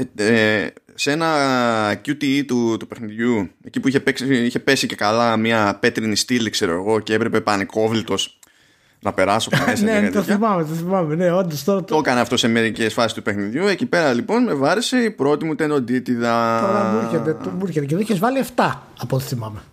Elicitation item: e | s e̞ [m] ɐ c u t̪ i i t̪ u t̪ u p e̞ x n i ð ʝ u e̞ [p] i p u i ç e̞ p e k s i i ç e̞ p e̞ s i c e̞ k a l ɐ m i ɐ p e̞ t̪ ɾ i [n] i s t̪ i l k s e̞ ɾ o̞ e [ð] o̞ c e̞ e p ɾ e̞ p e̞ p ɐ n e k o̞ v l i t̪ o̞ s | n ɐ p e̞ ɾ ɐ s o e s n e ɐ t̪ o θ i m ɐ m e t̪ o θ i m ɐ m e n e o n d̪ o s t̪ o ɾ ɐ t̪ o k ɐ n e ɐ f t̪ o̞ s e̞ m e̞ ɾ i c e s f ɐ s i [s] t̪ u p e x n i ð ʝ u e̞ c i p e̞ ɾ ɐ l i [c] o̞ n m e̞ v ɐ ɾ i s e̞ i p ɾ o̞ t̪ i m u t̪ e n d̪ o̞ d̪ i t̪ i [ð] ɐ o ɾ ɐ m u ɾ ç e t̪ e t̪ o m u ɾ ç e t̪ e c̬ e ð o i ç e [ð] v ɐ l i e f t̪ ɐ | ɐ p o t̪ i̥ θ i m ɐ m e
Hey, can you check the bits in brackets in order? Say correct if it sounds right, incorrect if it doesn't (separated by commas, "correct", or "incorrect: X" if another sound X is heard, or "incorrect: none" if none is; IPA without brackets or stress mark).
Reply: incorrect: n, incorrect: c, correct, incorrect: ɣ, correct, incorrect: p, correct, incorrect: z